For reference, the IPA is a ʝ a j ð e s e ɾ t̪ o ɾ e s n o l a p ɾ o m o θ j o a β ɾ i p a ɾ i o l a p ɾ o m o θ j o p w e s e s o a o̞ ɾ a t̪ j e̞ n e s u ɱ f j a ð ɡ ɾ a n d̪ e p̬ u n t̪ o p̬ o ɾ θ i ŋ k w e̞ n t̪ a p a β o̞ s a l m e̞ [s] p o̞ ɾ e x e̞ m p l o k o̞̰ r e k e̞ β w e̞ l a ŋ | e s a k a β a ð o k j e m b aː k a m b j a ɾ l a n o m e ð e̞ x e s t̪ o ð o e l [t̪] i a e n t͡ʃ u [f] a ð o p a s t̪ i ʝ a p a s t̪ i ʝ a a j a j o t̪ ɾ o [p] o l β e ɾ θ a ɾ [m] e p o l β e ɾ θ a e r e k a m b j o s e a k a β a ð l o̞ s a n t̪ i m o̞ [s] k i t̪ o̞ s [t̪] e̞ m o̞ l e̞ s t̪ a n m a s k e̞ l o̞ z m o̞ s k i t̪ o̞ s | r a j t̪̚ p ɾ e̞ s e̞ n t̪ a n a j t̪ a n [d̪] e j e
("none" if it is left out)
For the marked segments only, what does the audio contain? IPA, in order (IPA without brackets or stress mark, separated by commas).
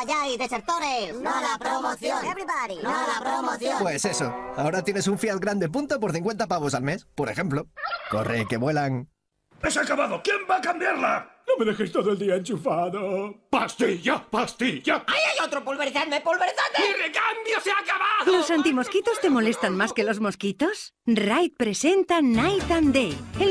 s, d̪, f, p, m, s, t̪, d̪